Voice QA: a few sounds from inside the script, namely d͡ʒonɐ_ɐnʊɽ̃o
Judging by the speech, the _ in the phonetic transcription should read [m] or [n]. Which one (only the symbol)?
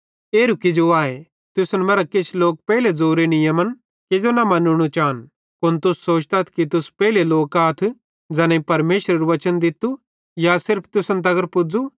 m